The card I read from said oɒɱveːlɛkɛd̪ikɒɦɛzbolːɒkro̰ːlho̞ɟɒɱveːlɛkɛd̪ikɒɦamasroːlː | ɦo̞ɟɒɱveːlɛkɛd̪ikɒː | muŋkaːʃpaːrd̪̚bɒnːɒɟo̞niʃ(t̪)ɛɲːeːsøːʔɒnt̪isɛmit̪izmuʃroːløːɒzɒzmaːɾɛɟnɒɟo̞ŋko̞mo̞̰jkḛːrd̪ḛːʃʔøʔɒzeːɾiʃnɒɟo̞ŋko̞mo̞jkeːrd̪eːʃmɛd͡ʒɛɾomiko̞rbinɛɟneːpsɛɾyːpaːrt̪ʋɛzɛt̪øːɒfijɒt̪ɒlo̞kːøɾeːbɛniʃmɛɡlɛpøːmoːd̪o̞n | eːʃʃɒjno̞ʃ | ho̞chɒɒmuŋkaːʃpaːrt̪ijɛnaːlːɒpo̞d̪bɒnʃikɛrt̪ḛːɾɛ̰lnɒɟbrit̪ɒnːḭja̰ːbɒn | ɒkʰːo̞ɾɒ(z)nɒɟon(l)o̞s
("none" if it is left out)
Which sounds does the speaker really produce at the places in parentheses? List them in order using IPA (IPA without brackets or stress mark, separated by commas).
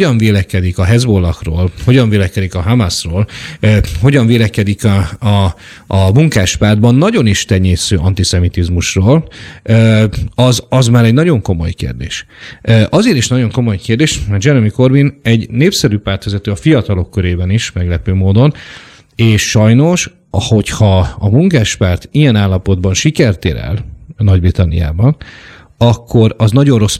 t̪, z, r